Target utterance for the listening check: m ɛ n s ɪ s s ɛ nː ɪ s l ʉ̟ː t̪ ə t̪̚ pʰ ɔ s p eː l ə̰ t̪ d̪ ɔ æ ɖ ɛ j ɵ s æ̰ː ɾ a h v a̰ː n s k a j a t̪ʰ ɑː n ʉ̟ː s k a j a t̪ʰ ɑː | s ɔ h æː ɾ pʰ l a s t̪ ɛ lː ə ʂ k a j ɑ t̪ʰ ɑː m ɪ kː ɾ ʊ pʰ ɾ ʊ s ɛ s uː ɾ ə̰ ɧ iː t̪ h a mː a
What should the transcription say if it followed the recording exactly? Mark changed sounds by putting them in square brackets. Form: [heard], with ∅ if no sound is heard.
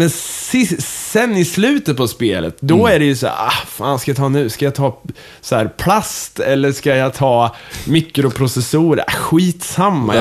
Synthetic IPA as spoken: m ɛ n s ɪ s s ɛ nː ɪ s l ʉ̟ː t̪ ə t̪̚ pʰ ɔ s p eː l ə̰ t̪ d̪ ɔ æ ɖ ɛ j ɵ s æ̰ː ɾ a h [f] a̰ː n s k a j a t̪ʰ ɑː n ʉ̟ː s k a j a t̪ʰ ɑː | s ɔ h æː ɾ pʰ l a s t̪ ɛ lː ə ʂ k a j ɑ t̪ʰ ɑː m ɪ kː ɾ ʊ pʰ ɾ ʊ s ɛ s uː ɾ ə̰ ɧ iː t̪ [s] a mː a